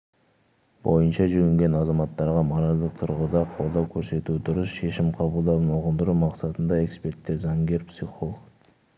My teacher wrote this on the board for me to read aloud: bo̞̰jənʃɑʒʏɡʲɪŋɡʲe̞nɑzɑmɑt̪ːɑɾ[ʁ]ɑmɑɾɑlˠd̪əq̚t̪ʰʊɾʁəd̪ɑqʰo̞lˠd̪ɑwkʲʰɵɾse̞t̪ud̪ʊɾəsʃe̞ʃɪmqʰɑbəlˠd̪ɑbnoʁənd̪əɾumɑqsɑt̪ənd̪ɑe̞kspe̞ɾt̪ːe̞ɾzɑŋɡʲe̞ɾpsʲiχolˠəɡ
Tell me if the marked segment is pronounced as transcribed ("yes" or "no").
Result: yes